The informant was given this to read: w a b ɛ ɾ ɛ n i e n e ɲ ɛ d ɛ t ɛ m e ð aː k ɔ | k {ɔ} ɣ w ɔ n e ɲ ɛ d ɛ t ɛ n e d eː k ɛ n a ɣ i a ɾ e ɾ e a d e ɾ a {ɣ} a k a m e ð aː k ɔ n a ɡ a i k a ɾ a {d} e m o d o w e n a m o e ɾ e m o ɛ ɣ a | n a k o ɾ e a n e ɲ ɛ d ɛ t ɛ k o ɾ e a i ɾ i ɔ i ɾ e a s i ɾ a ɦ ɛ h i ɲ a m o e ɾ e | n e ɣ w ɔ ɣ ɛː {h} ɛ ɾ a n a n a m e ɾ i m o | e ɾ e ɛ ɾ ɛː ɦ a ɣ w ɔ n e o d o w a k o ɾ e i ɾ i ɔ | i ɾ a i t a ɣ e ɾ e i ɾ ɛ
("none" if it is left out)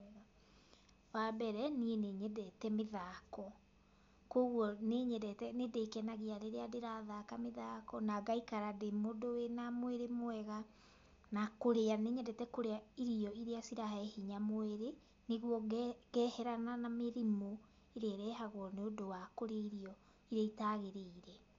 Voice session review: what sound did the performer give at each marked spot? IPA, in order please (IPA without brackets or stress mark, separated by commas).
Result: o, ð, d, h